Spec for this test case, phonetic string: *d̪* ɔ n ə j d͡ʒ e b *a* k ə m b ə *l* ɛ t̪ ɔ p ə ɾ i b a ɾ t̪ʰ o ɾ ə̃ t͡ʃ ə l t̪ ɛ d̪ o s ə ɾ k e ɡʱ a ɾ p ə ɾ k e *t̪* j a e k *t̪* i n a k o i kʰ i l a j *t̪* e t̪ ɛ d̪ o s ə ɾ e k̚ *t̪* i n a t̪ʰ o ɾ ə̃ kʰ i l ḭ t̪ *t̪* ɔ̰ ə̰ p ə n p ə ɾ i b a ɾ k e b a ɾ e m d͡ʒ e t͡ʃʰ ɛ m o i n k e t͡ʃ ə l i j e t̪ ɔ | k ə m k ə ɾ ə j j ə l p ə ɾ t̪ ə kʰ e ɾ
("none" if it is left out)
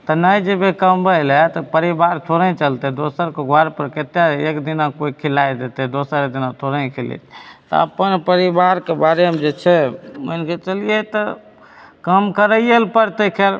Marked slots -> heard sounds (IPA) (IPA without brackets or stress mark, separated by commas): t̪, e, l, t̪, d̪, d̪, d̪, t̪